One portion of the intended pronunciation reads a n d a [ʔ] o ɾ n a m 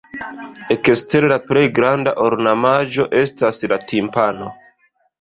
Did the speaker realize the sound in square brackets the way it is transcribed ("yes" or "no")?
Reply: yes